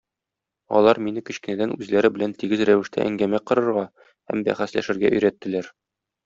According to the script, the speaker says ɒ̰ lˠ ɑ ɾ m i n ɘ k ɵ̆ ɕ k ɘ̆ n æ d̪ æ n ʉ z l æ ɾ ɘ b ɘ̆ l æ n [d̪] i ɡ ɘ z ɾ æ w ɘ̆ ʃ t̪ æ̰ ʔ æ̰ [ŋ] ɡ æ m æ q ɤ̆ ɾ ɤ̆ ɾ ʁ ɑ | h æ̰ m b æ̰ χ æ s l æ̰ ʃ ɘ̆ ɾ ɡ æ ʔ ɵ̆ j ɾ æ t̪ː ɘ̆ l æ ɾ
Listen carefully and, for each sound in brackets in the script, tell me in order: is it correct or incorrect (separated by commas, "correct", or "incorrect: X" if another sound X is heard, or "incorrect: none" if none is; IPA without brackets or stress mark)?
incorrect: t̪, correct